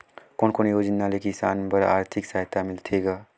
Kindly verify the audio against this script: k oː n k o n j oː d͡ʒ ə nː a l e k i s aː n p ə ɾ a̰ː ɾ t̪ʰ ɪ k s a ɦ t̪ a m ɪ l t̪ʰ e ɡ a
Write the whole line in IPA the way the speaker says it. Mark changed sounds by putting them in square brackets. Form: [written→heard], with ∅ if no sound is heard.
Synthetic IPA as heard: k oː n k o n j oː d͡ʒ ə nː a l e k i s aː n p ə ɾ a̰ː ɾ t̪ʰ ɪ k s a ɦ t̪ a m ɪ l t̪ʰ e ɡ a